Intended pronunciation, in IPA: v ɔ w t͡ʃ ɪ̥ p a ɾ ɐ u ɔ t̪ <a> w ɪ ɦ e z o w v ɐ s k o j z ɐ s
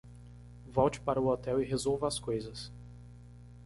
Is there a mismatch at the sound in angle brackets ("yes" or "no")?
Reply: yes